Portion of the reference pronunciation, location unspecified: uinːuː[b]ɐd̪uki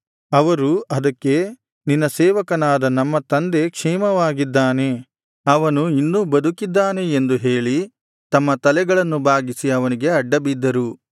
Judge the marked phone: correct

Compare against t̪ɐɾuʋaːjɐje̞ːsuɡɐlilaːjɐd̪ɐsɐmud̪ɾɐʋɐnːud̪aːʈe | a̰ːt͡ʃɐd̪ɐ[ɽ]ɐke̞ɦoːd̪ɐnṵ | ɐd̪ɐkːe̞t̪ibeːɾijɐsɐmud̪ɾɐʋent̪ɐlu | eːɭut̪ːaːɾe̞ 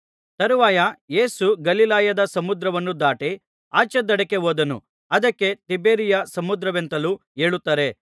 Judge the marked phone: correct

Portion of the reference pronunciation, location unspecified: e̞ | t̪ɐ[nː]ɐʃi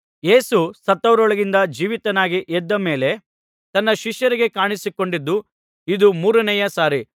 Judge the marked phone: correct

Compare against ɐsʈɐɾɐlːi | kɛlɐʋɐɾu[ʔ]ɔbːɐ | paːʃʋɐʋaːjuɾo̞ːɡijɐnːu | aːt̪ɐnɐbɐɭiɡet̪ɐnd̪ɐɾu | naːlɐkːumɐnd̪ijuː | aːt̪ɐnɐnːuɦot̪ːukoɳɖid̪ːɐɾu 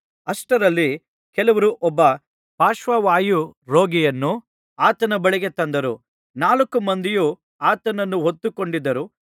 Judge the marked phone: correct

